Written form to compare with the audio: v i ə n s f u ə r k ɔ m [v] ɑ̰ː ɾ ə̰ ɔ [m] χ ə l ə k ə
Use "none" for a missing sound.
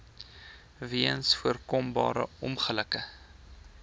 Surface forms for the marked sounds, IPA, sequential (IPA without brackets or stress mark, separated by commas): b, m